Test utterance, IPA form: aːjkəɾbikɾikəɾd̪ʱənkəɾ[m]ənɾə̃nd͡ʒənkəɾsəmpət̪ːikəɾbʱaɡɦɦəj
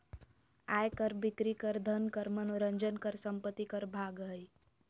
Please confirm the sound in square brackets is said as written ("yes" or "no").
yes